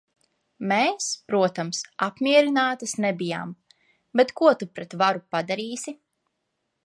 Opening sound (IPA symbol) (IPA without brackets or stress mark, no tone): m